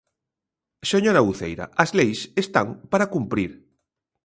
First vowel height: mid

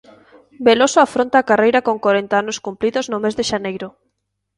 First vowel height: mid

